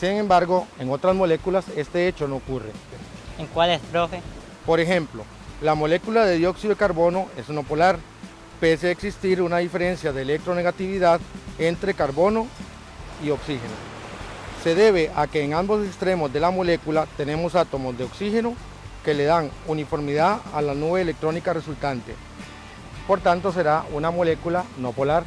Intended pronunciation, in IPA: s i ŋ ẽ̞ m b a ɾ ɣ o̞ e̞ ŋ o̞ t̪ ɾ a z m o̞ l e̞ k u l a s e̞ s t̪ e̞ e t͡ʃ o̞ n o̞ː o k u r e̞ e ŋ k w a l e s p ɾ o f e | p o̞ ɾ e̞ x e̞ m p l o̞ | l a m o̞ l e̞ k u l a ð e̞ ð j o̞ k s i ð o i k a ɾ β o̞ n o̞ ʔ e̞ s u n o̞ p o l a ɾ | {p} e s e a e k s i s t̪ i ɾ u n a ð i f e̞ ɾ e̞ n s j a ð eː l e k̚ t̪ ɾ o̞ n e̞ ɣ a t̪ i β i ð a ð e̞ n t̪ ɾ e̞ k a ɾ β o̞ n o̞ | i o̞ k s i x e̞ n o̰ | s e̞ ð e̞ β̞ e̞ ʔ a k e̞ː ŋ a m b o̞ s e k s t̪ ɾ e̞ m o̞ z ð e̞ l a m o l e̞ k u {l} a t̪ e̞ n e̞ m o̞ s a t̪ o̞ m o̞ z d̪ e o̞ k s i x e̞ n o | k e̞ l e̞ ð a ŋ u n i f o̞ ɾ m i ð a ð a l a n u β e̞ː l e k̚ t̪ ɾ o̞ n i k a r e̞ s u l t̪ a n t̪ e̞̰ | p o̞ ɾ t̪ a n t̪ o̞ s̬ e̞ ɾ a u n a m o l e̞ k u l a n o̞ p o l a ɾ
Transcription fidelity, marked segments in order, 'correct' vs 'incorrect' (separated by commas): correct, correct